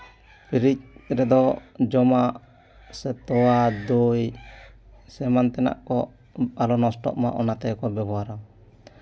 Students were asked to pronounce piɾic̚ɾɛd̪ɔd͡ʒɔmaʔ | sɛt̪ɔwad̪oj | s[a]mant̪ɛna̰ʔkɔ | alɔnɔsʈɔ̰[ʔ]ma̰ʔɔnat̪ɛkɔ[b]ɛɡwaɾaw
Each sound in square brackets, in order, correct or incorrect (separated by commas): incorrect, correct, correct